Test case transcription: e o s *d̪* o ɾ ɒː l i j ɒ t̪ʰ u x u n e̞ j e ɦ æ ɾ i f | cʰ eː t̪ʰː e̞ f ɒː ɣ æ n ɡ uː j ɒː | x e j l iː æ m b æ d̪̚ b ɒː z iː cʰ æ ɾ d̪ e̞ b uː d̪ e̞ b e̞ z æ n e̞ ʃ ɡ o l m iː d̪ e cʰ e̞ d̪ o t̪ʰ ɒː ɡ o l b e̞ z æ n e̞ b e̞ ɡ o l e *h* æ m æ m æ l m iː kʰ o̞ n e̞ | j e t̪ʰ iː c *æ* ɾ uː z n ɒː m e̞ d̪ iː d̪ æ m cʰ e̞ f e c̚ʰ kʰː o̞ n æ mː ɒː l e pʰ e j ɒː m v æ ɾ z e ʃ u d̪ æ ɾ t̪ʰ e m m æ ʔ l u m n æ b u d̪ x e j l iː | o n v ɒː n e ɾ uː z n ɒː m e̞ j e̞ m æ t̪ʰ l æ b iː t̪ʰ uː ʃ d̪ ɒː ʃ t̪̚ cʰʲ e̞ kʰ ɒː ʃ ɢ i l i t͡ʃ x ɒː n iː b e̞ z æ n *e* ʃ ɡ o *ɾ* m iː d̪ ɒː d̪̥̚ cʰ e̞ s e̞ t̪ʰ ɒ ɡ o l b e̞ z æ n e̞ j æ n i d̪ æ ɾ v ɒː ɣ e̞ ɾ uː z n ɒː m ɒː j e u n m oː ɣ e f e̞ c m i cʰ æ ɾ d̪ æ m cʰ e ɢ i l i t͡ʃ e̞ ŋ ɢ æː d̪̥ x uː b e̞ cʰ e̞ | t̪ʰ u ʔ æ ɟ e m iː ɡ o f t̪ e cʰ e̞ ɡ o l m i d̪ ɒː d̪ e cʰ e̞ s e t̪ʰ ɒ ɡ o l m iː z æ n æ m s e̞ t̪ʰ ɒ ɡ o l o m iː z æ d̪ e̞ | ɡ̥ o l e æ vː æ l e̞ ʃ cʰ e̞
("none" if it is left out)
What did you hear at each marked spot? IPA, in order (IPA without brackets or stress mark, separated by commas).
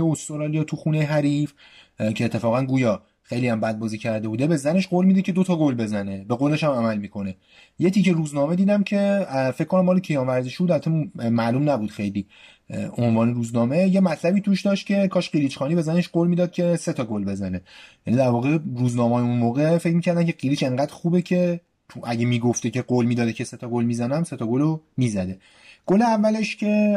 t̪, ʃ, e, e, l